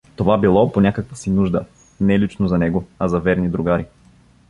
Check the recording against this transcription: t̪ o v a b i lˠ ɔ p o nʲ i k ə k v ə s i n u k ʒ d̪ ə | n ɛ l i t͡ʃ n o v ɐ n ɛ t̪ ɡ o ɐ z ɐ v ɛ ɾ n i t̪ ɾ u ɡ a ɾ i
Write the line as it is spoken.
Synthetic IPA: t̪ o v a b i lˠ ɔ p o nʲ a k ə k v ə s i n u ʒ d̪ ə | n ɛ l i t͡ʃ n o z ɐ n ɛ ɡ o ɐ z ɐ v ɛ ɾ n i d̪ ɾ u ɡ a ɾ i